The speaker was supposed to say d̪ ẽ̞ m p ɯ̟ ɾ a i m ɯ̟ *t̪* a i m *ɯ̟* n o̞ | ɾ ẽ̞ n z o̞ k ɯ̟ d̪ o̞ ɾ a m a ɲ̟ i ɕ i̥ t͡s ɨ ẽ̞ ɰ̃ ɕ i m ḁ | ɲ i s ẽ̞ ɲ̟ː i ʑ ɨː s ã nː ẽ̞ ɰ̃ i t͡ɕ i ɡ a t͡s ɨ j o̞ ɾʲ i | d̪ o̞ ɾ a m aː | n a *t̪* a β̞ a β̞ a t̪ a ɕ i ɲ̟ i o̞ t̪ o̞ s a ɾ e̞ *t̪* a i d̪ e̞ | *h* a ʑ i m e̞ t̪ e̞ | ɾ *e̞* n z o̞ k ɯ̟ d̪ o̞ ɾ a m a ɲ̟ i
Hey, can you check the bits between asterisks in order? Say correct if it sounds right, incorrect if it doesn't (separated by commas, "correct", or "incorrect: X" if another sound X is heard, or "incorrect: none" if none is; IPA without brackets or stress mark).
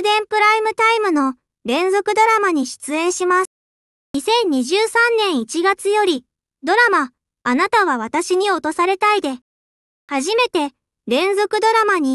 correct, correct, correct, correct, correct, incorrect: ẽ̞